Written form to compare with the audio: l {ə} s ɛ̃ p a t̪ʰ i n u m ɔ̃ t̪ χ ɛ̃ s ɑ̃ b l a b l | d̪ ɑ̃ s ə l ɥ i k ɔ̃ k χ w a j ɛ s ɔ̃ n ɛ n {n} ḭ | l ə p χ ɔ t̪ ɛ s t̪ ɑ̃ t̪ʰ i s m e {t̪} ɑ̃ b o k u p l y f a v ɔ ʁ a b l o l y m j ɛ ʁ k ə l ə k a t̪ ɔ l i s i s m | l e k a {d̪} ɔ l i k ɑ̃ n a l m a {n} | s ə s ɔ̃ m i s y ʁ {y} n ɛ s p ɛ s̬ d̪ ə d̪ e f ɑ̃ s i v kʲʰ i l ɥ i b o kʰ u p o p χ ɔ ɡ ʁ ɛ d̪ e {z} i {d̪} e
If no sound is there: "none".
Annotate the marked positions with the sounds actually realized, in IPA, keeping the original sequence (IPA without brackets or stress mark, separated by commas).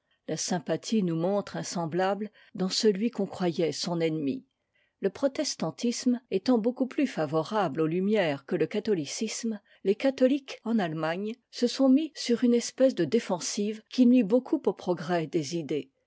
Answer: a, m, t̪, t̪, ɲ, y, z, d̪